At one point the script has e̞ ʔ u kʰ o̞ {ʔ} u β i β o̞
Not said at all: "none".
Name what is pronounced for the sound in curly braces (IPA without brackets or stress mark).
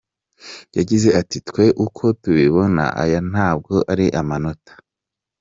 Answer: t